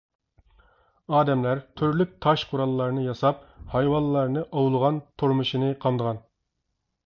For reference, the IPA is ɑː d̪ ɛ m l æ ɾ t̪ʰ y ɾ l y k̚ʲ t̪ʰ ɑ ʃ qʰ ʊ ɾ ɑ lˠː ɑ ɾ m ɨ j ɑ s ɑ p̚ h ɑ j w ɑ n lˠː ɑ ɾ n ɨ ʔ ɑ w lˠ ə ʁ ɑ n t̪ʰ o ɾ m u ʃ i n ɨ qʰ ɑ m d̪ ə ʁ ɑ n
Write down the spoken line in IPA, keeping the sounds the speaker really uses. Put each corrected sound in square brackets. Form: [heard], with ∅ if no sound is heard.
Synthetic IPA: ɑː d̪ ɛ m l æ ɾ t̪ʰ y ɾ l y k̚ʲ t̪ʰ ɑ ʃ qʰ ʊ ɾ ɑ lˠː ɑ ɾ [n] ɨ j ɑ s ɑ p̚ h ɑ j w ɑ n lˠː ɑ ɾ n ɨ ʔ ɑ w lˠ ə ʁ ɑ n t̪ʰ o ɾ m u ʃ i n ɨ qʰ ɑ m d̪ ə ʁ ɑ n